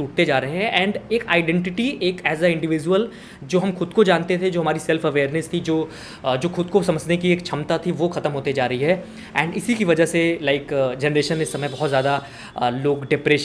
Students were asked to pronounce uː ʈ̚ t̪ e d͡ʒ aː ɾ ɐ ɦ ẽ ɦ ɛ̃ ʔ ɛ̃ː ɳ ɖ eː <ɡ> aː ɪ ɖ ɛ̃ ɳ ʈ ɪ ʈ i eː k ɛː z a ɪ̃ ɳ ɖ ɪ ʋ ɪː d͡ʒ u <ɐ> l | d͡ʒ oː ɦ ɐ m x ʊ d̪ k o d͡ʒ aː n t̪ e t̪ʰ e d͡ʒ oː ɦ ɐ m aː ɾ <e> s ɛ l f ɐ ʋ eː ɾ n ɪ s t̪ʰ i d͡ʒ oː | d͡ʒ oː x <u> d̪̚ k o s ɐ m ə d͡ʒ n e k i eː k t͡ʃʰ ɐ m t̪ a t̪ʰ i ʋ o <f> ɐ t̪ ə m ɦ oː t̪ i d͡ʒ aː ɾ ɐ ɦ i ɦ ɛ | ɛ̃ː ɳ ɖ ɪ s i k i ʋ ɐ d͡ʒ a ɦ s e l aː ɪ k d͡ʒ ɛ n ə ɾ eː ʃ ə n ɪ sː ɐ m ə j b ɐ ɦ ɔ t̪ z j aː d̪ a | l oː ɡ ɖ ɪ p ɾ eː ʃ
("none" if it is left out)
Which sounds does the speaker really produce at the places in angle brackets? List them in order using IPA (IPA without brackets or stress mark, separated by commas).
k, ə, i, ʊ, x